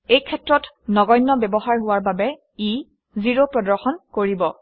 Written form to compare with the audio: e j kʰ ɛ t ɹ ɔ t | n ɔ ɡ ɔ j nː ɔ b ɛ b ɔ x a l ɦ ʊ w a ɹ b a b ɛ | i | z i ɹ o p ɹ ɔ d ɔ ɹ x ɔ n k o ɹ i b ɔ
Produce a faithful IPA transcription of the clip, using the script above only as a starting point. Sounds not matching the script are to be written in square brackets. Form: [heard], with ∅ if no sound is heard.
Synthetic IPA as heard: e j kʰ ɛ t ɹ ɔ t | n ɔ ɡ ɔ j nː ɔ b ɛ b ɔ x a [ɹ] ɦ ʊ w a ɹ b a b ɛ | i | z i ɹ o p ɹ ɔ d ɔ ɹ x ɔ n k o ɹ i b ɔ